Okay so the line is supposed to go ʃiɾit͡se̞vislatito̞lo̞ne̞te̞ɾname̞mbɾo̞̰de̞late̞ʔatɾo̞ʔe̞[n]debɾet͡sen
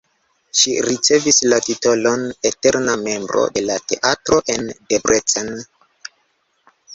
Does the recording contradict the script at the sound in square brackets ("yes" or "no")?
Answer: no